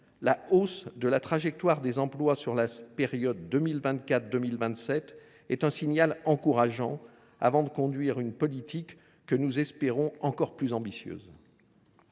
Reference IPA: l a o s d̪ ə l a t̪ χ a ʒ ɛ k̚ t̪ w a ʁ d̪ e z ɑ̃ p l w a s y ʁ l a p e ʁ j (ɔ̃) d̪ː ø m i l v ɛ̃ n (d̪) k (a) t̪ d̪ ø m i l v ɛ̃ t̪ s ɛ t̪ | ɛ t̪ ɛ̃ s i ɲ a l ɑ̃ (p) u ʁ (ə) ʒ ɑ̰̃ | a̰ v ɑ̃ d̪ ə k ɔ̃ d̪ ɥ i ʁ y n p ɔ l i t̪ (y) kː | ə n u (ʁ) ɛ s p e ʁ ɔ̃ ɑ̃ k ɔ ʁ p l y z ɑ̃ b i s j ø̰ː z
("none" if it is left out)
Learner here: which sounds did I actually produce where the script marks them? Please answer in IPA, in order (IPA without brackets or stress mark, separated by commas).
ɔ, t̪, a, k, a, i, z